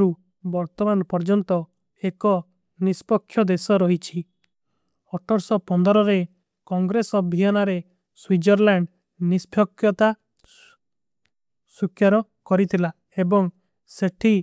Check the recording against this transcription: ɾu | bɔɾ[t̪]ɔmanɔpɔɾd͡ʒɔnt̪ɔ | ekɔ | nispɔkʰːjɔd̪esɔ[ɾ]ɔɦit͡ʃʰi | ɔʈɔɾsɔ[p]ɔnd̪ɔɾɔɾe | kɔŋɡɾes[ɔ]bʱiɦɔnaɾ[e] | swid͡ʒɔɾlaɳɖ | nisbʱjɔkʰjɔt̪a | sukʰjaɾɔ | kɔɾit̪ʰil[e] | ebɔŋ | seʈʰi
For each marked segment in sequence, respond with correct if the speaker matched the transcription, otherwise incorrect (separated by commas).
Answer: correct, correct, correct, correct, correct, incorrect